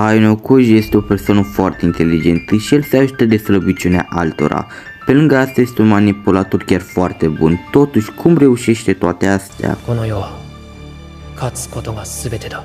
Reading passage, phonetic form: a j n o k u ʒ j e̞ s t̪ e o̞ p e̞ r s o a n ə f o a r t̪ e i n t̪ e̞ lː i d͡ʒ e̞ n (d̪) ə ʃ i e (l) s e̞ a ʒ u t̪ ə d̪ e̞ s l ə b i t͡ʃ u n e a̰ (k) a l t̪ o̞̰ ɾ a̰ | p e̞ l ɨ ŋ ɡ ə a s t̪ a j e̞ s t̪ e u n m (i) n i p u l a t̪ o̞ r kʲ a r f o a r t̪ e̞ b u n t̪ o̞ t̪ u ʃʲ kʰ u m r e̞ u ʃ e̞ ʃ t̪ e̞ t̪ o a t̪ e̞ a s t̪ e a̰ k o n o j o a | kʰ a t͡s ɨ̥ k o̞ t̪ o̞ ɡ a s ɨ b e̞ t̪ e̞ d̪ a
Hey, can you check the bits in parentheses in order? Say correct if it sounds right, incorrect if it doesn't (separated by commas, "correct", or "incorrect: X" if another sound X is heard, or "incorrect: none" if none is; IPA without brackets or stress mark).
incorrect: t̪, correct, incorrect: ʔ, incorrect: a